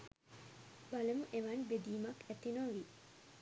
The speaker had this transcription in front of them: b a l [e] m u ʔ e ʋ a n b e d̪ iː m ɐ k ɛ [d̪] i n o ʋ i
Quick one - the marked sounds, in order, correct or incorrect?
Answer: correct, incorrect: t̪

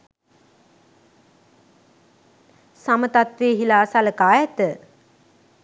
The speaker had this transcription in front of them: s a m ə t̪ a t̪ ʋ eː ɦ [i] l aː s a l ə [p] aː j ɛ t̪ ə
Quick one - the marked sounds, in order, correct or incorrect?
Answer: correct, incorrect: k

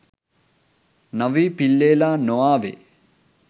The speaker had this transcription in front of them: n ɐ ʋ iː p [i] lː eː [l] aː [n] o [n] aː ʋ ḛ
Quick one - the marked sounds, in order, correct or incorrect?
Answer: correct, correct, correct, incorrect: none

